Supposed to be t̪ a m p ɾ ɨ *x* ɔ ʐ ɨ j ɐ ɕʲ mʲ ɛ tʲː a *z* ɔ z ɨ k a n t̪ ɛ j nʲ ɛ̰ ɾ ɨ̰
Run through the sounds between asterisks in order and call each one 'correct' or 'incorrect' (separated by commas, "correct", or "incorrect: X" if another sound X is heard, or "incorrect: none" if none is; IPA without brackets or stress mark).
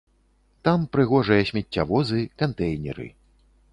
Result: incorrect: ɣ, incorrect: v